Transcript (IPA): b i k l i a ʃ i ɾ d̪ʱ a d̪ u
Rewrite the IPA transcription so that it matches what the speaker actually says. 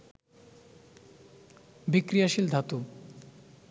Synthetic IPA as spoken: b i k ɾ i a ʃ i l d̪ʱ a t̪ u